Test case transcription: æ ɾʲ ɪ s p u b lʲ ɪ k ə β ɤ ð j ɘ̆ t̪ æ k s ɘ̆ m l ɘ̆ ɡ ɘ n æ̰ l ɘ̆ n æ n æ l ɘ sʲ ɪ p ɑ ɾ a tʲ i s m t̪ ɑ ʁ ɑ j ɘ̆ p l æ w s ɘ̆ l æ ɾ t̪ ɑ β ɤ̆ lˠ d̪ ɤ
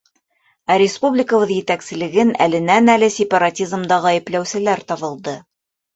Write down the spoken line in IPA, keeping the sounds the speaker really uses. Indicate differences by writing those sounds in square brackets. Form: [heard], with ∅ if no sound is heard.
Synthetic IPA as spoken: æ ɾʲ ɪ s p u b lʲ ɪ k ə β ɤ ð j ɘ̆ t̪ æ k s ɘ̆ [∅] l ɘ̆ ɡ ɘ n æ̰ l ɘ̆ n æ n æ l ɘ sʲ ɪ p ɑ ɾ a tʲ i [z] m [d̪] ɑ ʁ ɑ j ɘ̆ p l æ w s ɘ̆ l æ ɾ t̪ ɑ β ɤ̆ lˠ d̪ ɤ